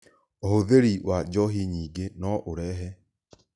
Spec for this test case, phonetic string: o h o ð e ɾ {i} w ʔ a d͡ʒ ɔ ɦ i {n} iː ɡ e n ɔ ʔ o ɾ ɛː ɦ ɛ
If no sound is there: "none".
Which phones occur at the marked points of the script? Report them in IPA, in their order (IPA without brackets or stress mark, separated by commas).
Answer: i, ɲ